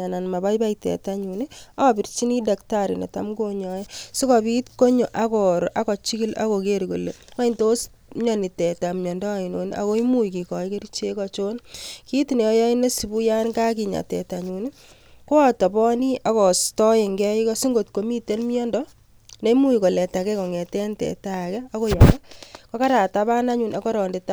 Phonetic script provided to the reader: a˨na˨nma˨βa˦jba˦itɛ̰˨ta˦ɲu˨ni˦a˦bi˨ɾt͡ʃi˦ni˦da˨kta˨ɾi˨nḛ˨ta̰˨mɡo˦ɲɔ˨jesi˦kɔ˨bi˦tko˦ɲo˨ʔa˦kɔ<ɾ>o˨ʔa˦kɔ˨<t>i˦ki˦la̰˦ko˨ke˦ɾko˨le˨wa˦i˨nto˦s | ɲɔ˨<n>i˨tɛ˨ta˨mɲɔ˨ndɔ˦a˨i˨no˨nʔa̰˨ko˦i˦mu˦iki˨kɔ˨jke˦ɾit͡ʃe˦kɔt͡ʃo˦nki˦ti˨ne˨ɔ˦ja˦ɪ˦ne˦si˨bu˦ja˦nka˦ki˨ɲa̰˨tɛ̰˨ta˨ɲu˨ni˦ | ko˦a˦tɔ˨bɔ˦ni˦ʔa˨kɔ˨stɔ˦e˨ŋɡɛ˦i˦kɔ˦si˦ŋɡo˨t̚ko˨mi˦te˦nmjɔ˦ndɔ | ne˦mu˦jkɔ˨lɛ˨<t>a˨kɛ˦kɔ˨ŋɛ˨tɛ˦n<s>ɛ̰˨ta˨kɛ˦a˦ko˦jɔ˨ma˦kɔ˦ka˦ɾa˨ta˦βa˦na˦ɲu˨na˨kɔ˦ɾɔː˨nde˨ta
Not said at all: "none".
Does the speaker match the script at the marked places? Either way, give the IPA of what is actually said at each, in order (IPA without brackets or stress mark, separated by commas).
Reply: ɾ, t͡ʃ, n, t, t